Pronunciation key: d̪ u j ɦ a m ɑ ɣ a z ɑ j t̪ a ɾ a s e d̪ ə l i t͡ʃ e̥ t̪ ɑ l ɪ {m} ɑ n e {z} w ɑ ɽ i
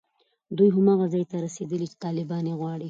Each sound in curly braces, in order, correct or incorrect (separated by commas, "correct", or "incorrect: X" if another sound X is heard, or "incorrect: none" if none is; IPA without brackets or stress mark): incorrect: b, incorrect: ɣ